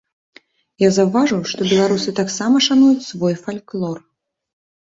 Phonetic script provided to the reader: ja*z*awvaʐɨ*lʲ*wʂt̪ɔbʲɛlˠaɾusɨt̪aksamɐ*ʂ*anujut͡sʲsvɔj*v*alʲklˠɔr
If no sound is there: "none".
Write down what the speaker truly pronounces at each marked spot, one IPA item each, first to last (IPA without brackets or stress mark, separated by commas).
z, none, ʂ, f